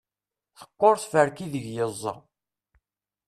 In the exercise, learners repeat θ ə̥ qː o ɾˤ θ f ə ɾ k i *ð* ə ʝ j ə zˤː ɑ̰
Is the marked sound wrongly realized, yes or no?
no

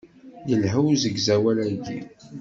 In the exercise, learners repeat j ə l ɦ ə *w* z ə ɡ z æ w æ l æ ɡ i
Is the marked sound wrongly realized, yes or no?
no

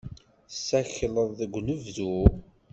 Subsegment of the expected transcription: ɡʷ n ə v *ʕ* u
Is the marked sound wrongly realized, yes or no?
yes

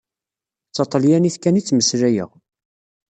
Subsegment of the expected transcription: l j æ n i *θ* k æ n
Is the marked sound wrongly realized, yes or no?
no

